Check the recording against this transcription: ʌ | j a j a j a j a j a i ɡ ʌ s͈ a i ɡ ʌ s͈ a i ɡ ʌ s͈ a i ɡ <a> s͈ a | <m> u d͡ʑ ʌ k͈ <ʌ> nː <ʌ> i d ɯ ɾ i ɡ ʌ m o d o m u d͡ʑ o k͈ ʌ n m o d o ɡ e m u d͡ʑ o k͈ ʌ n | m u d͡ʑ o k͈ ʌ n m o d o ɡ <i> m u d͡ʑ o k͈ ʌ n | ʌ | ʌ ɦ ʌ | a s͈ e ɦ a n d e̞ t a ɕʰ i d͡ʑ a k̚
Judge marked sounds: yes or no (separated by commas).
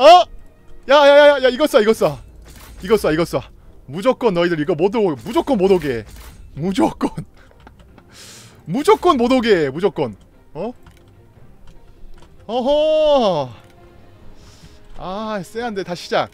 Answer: no, yes, yes, yes, no